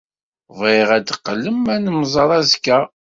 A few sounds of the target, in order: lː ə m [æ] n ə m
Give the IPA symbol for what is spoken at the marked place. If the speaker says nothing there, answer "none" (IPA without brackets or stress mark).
æ